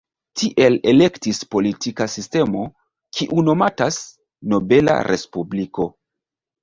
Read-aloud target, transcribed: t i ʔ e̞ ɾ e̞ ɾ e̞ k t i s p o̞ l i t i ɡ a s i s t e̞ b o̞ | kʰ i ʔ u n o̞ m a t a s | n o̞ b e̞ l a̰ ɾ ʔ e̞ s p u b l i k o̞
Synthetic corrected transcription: t i ʔ e̞ l e̞ l e̞ k t i s p o̞ l i t i k a s i s t e̞ m o̞ | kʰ i ʔ u n o̞ m a t a s | n o̞ b e̞ l a̰ ɾ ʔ e̞ s p u b l i k o̞